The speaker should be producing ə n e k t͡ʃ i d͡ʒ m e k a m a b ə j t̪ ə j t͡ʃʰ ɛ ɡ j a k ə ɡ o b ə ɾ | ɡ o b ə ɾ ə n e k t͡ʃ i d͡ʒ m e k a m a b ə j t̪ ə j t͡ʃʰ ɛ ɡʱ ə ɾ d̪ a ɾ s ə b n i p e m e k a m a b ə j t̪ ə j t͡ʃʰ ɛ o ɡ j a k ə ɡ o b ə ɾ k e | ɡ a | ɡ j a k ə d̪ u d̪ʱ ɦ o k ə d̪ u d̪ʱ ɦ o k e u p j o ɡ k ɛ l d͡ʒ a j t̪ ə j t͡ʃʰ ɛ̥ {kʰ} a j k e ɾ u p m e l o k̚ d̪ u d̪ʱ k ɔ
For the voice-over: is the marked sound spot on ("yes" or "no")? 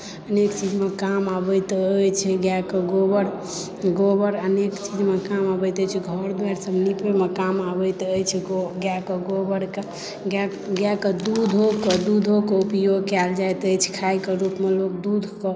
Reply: yes